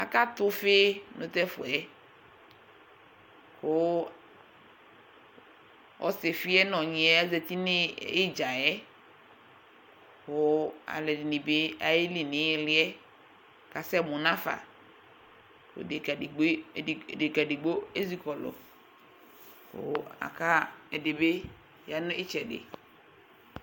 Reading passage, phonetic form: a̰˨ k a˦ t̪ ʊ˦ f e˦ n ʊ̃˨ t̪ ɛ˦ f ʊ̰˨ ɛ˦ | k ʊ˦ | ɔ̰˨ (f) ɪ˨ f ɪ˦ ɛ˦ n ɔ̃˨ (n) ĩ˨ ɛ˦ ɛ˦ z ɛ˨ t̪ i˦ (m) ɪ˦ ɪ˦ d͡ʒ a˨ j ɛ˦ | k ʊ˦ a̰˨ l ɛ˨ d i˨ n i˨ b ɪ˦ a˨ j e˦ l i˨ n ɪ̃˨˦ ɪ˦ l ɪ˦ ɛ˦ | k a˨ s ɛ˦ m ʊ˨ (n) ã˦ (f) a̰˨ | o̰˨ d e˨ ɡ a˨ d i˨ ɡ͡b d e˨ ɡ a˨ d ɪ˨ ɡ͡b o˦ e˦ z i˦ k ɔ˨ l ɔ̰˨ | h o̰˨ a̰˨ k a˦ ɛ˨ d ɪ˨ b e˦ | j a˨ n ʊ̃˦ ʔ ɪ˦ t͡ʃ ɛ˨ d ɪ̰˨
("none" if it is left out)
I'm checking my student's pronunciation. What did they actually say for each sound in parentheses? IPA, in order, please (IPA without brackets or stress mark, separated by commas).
s, ɲ, n, n, f